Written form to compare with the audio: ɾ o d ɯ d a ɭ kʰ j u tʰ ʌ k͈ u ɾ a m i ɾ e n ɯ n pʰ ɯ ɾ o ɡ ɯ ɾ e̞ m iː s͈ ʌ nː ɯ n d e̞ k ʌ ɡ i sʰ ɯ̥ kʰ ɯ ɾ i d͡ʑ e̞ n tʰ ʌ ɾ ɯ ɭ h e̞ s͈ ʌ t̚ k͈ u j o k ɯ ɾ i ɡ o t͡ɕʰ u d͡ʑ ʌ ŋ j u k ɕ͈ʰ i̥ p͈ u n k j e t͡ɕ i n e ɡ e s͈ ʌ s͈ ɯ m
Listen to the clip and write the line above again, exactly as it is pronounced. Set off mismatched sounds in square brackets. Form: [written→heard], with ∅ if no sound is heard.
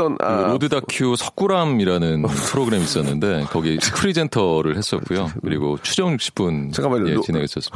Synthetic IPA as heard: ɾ o d ɯ d a [ɭ→∅] kʰ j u [tʰ→sʰ] ʌ k͈ u ɾ a m i ɾ [e→a] n ɯ n pʰ ɯ ɾ o ɡ ɯ ɾ e̞ m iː s͈ ʌ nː ɯ n d e̞ k ʌ ɡ i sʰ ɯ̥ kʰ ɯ ɾ i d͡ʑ e̞ n tʰ ʌ ɾ ɯ ɭ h e̞ s͈ ʌ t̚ k͈ u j o k ɯ ɾ i ɡ o t͡ɕʰ u d͡ʑ ʌ ŋ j u k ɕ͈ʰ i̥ p͈ u n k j e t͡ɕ i n e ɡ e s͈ ʌ s͈ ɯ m